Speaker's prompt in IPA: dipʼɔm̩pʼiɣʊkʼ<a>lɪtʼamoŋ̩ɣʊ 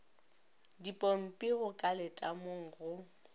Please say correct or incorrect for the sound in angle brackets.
correct